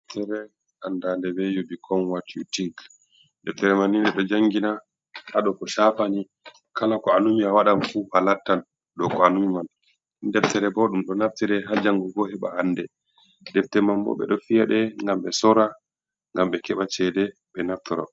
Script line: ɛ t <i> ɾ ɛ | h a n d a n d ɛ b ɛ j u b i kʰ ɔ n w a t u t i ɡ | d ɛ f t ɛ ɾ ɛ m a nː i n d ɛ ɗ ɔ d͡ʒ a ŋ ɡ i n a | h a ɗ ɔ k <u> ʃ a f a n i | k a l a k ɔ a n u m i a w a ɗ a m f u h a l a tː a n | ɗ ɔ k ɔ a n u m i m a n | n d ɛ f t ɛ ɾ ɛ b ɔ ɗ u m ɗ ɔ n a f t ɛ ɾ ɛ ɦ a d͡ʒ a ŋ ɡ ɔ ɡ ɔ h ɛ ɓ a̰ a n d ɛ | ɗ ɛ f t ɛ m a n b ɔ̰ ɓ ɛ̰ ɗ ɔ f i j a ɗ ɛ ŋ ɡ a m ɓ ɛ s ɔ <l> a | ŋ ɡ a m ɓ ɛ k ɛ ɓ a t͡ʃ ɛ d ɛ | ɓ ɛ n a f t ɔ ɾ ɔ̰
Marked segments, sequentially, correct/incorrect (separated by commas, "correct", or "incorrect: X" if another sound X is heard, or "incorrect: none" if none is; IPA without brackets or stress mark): incorrect: ɛ, incorrect: ɔ, incorrect: ɾ